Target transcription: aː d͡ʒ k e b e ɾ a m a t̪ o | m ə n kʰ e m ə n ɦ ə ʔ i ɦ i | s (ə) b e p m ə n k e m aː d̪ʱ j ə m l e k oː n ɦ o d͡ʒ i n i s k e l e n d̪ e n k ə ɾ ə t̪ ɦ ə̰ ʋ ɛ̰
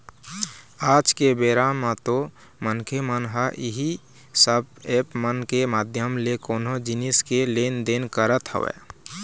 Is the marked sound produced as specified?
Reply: yes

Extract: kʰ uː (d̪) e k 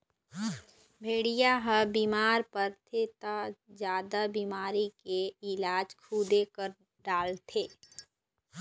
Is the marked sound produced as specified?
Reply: yes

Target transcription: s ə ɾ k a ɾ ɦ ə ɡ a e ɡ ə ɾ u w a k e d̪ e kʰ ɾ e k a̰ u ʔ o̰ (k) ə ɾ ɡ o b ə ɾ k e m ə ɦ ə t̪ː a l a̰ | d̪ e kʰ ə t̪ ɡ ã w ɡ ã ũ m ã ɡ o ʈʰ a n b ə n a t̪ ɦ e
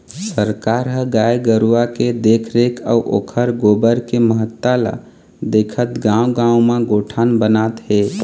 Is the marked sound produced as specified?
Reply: no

